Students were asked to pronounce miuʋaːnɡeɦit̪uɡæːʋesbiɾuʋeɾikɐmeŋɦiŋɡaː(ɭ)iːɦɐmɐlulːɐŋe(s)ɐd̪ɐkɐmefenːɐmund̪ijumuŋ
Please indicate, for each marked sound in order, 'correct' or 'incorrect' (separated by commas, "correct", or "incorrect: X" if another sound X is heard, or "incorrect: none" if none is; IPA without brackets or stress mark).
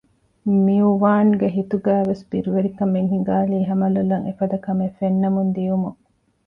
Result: incorrect: l, incorrect: f